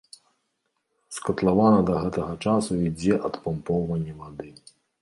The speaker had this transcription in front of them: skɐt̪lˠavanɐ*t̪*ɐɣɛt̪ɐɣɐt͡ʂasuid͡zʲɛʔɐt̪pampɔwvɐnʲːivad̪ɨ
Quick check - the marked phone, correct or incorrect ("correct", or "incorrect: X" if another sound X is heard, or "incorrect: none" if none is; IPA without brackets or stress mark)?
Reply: incorrect: d̪